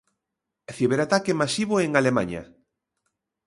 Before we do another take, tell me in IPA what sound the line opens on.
θ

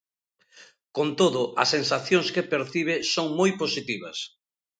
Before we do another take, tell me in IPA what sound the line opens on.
k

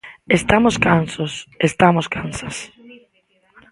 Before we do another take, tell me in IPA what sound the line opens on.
e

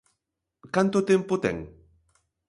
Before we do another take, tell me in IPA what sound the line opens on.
k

